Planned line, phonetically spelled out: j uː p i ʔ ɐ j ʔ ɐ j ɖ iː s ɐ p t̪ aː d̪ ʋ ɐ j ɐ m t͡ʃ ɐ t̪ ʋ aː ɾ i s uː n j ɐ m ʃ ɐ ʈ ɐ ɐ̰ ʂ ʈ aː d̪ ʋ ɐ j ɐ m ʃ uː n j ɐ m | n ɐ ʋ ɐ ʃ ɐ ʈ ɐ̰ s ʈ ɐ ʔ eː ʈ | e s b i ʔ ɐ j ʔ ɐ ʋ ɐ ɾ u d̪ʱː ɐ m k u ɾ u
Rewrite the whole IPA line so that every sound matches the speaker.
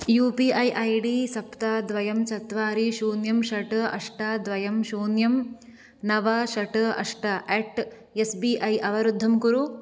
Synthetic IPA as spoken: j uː p i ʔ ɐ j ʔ ɐ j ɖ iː s ɐ p t̪ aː d̪ ʋ ɐ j ɐ m t͡ʃ ɐ t̪ ʋ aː ɾ i ʃ uː n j ɐ m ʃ ɐ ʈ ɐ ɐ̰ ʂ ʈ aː d̪ ʋ ɐ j ɐ m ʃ uː n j ɐ m | n ɐ ʋ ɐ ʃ ɐ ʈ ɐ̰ ʂ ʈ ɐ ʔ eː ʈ | e s b i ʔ ɐ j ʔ ɐ ʋ ɐ ɾ u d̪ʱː ɐ m k u ɾ u